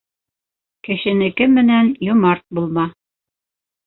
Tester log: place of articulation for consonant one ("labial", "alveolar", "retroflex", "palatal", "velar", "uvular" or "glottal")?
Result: velar